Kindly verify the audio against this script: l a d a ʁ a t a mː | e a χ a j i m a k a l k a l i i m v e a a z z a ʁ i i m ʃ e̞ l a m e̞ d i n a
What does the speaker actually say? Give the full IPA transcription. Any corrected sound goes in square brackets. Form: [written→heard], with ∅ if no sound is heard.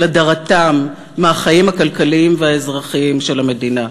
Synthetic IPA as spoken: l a d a ʁ a t a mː | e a χ a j i m a k a l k a l i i m v e a [a→e] z [z→ʁ] a [ʁ→χ] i i m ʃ e̞ l a m e̞ d i n a